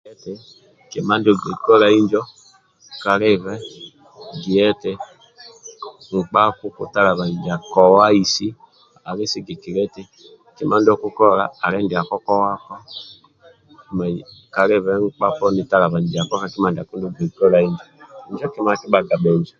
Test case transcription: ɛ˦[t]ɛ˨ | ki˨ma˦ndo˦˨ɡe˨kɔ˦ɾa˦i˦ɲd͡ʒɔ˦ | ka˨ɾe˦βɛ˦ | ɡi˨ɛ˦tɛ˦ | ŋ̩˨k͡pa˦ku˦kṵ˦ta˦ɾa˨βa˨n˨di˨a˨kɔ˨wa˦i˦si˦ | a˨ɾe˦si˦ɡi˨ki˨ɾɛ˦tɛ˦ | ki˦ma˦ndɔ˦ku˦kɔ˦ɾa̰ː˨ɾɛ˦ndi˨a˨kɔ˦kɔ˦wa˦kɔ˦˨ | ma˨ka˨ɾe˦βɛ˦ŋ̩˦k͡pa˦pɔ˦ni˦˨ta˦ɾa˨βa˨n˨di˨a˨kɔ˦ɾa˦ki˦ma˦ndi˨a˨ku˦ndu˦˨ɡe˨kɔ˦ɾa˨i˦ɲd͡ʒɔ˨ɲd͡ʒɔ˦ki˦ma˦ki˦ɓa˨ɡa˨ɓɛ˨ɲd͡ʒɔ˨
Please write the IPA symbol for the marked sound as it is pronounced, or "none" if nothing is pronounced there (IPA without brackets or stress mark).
t